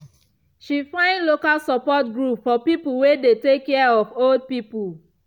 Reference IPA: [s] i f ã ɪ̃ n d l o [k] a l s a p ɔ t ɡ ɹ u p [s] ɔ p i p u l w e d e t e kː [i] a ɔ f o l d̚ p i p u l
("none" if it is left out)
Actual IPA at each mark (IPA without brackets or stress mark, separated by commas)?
ʃ, k, f, ɛ